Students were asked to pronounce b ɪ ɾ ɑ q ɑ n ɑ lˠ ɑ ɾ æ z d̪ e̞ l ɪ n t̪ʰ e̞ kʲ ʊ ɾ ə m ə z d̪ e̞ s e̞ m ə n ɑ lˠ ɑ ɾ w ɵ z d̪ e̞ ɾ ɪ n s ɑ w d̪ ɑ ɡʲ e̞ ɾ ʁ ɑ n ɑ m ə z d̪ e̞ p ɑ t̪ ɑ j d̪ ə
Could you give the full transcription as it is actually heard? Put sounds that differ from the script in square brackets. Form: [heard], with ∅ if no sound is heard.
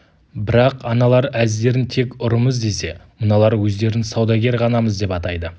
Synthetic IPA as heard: b ɪ ɾ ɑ q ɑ n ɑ lˠ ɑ ɾ æ z d̪ e̞ [ɾ] ɪ n t̪ʰ e̞ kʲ ʊ ɾ ə m ə z d̪ e̞ s e̞ m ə n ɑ lˠ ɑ ɾ w ɵ z d̪ e̞ ɾ ɪ n s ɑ w d̪ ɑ ɡʲ e̞ ɾ ʁ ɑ n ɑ m ə z d̪ e̞ p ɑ t̪ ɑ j d̪ ə